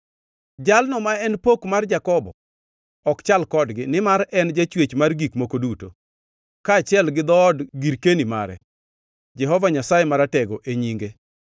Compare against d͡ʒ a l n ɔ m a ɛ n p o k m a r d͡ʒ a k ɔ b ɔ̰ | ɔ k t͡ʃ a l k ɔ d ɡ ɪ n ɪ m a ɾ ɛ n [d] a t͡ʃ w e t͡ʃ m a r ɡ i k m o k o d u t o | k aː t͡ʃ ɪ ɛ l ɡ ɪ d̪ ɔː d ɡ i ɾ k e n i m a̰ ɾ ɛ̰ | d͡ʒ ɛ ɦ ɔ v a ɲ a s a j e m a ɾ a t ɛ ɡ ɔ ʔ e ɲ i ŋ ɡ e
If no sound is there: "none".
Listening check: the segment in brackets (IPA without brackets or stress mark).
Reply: d͡ʒ